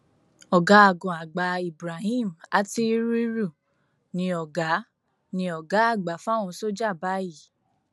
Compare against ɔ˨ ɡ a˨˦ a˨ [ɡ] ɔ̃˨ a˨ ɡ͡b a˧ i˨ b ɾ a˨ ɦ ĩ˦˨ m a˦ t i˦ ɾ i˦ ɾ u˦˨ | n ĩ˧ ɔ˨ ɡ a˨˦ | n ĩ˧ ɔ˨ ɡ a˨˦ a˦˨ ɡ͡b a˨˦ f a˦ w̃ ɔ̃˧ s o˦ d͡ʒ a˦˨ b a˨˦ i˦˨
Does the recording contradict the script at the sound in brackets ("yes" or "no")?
no